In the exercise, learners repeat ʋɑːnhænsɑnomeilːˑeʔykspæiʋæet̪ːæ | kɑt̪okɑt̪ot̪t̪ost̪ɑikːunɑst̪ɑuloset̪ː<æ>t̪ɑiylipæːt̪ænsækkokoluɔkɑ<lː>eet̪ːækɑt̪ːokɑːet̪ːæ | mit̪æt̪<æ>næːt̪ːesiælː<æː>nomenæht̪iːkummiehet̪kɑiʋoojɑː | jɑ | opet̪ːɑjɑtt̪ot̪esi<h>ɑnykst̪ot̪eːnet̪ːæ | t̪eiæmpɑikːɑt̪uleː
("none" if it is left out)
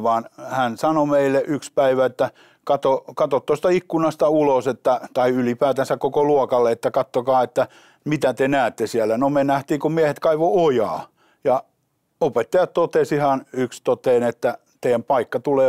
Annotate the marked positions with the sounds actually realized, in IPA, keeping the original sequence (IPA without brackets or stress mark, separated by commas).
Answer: æ, lː, e, æ, h